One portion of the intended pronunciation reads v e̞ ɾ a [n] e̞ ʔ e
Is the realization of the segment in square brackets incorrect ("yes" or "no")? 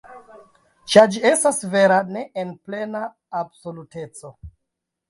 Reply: no